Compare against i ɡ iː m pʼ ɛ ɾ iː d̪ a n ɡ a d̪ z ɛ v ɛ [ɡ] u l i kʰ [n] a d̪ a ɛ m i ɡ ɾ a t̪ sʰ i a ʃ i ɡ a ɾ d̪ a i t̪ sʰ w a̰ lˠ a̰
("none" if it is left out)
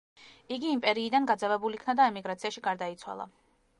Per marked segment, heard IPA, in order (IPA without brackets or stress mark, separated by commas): b, n